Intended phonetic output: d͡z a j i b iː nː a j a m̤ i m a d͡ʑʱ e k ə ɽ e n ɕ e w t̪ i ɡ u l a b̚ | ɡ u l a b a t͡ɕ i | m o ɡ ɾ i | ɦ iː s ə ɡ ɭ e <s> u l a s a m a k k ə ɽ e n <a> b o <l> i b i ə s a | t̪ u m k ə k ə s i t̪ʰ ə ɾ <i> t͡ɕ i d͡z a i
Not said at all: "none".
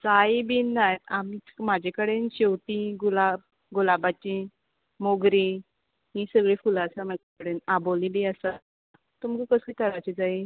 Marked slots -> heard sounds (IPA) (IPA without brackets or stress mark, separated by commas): f, a, l, a